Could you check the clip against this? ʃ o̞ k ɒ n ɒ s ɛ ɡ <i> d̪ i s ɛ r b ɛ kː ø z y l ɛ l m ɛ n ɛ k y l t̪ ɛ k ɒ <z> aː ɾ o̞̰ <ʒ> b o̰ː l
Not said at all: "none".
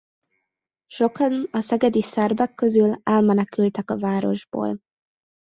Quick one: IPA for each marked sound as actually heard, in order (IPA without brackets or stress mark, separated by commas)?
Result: ɛ, v, ʒ